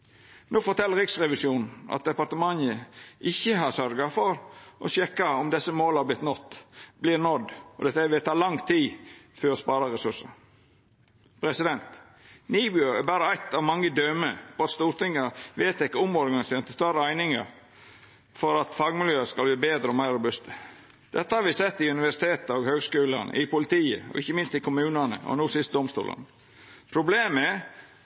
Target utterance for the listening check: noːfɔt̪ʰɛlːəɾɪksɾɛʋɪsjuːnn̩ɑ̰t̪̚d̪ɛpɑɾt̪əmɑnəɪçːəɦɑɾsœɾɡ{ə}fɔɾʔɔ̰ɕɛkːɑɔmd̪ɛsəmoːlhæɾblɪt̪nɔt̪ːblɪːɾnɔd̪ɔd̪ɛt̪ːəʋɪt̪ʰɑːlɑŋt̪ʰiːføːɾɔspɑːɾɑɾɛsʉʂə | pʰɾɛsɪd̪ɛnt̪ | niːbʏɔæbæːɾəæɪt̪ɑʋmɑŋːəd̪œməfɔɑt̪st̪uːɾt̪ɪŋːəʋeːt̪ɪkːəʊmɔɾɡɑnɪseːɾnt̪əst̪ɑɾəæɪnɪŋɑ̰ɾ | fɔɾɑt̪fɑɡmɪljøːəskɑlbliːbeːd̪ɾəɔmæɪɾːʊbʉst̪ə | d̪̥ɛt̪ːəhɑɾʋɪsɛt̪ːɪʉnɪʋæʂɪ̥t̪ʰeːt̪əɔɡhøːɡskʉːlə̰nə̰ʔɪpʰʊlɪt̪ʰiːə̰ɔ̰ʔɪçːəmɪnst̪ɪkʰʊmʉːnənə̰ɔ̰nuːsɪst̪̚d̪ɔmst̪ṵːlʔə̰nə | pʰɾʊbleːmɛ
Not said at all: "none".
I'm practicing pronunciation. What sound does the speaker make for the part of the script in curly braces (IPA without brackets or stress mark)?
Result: ɑ